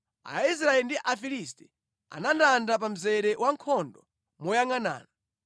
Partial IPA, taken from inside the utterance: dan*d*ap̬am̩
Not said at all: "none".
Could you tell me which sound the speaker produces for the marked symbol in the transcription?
d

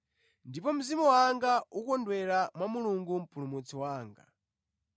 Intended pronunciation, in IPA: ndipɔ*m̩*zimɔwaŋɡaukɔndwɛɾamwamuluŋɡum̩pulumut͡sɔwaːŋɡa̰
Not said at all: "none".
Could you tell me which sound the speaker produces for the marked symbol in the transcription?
m̩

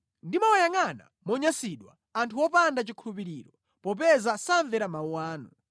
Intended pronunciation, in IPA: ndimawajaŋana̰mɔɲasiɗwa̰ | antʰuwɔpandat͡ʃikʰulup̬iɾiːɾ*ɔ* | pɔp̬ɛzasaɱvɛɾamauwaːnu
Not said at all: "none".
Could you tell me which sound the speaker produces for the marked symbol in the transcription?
ɔ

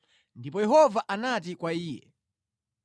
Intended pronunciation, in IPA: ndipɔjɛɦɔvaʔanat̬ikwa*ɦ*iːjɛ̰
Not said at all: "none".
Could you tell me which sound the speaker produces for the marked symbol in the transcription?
none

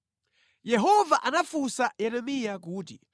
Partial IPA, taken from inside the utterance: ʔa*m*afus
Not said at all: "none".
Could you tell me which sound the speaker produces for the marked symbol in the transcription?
n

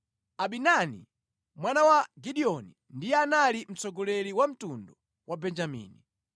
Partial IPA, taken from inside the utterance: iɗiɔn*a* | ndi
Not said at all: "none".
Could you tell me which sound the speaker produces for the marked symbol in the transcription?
i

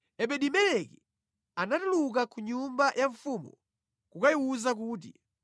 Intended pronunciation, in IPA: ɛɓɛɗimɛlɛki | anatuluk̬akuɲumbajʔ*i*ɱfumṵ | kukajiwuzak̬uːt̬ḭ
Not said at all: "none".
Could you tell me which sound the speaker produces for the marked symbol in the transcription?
a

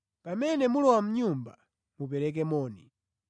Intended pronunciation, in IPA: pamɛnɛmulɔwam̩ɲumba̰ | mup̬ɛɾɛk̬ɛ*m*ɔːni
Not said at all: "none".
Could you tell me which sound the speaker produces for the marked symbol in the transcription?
m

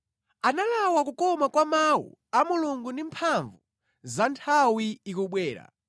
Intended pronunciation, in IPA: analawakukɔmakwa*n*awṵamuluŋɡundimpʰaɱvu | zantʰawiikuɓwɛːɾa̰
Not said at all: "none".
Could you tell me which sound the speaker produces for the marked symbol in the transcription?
m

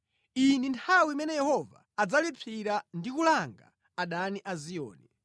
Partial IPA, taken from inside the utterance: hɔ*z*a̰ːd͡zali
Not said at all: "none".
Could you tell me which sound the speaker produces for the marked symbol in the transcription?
v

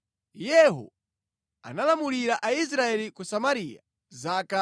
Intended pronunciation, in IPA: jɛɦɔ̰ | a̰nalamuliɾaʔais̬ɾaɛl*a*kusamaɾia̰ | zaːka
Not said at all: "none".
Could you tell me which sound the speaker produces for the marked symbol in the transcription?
i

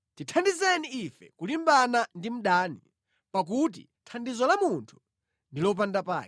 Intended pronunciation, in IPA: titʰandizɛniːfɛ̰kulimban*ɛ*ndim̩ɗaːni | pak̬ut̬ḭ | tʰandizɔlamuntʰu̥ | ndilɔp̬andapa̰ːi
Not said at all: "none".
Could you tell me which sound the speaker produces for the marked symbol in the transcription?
a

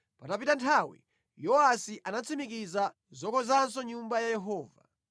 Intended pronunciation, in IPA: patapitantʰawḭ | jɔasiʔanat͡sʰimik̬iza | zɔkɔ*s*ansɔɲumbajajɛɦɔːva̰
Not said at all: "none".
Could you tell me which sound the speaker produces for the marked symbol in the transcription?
z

